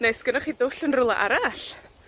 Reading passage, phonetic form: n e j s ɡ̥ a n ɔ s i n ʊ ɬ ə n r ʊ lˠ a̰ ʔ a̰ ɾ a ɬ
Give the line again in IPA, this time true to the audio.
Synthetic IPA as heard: n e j s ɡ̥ ə n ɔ χ i d ʊ ɬ ə n r ʊ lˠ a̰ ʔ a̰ ɾ a ɬ